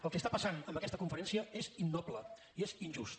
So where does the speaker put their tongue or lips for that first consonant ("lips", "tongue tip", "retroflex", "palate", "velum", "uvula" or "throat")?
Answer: tongue tip